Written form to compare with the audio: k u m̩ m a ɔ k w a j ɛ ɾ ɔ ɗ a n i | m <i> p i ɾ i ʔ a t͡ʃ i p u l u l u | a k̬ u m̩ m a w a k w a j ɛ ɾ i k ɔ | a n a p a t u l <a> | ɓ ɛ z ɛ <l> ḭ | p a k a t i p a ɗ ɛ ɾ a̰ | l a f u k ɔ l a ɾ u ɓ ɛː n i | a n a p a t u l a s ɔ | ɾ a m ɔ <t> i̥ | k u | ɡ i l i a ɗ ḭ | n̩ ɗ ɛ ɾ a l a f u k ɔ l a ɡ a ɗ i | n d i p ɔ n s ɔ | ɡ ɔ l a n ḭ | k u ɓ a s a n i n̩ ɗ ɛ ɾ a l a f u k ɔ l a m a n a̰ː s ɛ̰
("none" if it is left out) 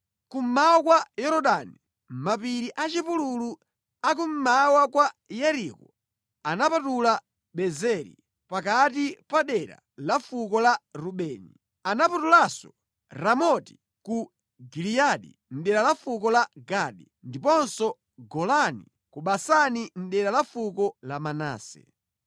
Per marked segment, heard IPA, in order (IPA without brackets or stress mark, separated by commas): a, a, ɾ, t